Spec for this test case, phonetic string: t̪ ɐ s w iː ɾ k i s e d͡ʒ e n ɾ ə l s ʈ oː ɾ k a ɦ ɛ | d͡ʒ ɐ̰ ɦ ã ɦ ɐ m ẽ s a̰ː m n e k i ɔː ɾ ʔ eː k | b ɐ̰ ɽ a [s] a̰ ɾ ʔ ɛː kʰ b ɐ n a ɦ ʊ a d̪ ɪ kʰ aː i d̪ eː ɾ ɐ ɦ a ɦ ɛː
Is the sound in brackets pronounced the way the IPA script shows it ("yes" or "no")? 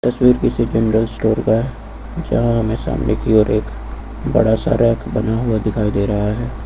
yes